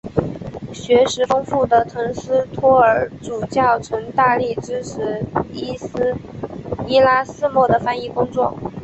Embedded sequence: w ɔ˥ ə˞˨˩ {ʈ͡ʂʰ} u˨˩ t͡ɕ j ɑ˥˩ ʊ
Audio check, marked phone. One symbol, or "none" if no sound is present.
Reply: ʈ͡ʂ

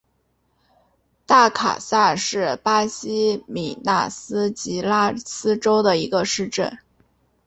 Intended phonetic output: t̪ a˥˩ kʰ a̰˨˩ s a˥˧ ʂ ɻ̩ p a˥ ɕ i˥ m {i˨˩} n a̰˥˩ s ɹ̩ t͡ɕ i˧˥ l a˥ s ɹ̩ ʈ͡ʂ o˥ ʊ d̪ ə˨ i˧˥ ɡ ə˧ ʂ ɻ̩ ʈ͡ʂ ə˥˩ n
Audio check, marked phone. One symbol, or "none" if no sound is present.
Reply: i˨˩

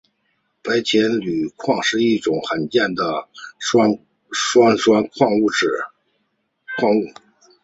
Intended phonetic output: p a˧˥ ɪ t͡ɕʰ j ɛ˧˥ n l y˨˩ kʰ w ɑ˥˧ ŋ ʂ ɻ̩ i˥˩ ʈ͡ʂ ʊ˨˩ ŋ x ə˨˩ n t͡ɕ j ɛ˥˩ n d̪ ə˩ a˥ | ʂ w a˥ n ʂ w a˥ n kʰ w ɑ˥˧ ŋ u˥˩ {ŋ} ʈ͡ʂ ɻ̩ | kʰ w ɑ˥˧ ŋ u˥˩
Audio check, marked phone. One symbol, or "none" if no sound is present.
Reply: none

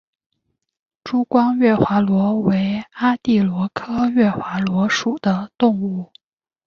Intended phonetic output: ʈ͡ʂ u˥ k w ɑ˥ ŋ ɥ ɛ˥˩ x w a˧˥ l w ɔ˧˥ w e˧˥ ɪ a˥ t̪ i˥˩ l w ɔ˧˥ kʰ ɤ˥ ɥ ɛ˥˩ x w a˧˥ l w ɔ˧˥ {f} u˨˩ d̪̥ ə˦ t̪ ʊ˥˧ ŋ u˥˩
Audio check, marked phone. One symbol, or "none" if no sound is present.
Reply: ʂ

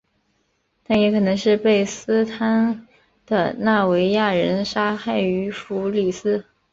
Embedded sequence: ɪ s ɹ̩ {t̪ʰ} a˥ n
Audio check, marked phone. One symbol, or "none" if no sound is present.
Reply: t̪ʰ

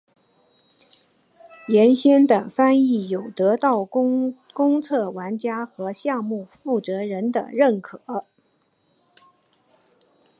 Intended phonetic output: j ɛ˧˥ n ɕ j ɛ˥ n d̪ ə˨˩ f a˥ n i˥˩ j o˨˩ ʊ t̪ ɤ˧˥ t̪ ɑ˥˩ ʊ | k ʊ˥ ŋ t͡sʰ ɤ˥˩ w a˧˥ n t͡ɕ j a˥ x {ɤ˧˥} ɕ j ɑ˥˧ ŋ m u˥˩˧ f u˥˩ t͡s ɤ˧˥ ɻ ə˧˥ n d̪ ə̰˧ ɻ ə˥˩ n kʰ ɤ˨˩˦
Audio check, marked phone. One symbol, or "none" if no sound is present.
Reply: ɤ˧˥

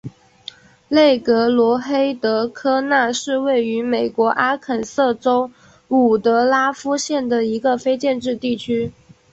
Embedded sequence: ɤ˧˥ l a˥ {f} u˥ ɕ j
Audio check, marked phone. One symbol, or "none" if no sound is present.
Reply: f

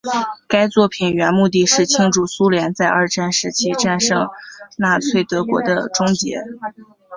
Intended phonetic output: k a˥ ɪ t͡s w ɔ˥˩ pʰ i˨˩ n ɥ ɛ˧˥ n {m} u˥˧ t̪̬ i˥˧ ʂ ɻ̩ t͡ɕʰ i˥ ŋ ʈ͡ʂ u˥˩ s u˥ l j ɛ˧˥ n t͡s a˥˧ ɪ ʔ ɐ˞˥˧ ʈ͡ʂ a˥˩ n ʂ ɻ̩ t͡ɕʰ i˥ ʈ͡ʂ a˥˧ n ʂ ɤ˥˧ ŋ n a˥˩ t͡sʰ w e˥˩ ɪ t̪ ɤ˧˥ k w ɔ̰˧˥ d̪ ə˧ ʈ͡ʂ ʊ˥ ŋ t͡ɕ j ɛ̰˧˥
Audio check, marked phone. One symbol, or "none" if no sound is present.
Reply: m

